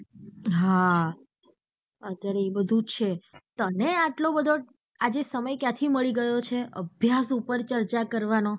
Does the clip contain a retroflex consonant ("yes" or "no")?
yes